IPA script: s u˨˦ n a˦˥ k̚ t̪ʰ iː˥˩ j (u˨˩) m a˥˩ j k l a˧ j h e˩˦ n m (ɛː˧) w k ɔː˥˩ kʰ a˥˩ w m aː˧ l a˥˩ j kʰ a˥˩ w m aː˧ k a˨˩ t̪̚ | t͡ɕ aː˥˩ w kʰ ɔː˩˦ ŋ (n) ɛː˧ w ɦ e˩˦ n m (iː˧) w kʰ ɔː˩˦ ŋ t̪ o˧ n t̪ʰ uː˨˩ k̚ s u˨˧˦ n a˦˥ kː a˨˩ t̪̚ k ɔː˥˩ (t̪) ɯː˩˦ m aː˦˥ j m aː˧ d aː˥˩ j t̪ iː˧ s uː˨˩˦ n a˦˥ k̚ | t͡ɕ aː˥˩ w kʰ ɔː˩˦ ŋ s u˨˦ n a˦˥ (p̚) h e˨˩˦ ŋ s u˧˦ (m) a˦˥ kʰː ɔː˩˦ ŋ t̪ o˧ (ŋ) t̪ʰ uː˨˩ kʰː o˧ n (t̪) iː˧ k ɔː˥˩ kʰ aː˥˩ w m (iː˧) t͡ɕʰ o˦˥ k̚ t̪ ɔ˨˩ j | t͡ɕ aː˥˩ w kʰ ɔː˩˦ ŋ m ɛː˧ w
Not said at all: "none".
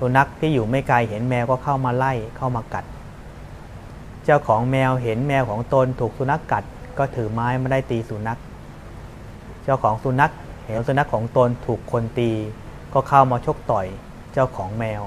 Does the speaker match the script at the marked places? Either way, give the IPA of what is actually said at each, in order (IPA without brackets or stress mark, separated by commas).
uː˨˩, ɛː˧, m, ɛː˧, t̪ʰ, k̚, n, n, t̪, aː˧